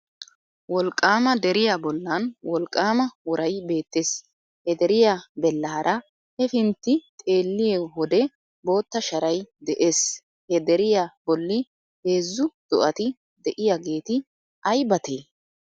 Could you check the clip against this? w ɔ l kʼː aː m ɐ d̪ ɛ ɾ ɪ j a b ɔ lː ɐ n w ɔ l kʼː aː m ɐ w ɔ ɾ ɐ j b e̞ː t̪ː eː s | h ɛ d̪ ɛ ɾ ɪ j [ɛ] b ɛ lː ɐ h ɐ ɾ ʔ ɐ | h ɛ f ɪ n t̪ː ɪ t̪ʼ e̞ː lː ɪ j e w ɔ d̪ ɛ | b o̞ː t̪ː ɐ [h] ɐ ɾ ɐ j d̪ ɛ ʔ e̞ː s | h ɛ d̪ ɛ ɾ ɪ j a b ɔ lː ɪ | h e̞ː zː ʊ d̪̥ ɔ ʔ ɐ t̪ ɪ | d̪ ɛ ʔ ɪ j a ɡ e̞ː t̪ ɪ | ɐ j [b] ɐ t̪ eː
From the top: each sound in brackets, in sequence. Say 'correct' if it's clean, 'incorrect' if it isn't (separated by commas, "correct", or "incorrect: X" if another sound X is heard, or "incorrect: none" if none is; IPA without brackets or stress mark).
incorrect: a, incorrect: ʃ, correct